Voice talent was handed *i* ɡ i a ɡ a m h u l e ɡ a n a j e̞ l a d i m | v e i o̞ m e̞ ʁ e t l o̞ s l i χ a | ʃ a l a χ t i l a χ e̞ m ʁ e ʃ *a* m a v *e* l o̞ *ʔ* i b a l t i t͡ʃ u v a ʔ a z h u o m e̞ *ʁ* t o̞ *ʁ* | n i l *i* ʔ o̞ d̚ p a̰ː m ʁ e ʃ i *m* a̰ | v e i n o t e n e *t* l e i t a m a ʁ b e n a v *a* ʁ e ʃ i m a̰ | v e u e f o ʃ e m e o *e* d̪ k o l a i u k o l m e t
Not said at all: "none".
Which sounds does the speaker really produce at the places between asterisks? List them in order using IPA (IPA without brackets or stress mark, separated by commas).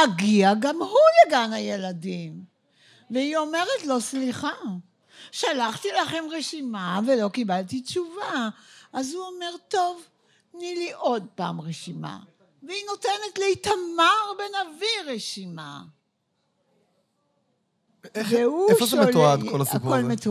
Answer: a, i, e, k, ʁ, v, i, m, t, i, a